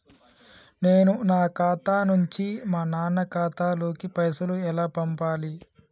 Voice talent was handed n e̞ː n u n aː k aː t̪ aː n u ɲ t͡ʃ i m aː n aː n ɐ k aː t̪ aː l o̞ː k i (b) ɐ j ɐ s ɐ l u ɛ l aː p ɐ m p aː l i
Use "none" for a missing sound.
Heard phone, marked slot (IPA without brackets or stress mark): p